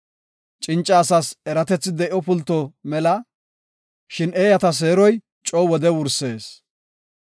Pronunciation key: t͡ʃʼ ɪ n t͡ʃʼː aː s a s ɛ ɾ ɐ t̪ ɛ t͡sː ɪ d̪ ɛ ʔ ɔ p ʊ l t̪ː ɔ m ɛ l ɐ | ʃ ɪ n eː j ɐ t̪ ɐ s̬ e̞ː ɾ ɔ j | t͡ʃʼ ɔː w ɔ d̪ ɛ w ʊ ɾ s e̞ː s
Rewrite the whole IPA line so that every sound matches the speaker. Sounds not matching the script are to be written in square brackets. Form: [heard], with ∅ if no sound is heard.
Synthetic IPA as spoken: t͡ʃʼ ɪ n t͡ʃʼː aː s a s ɛ ɾ ɐ t̪ ɛ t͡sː ɪ d̪ ɛ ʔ ɔ p ʊ l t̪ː ɔ m ɛ l ɐ | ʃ ɪ n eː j ɐ t̪ ɐ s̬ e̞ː ɾ ɔ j | t͡ʃʼ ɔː w ɔ d̪ ɛ w ʊ ɾ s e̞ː s